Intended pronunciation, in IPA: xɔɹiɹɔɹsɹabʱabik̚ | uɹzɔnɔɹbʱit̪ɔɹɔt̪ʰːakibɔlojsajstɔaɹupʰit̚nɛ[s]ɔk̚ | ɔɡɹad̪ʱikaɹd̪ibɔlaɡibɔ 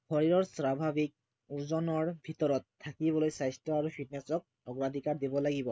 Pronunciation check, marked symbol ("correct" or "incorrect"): correct